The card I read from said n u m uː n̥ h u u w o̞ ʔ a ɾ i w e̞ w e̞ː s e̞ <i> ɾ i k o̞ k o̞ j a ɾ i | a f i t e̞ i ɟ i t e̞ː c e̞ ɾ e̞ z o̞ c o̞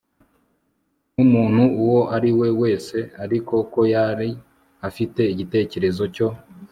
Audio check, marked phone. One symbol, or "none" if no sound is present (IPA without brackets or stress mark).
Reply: a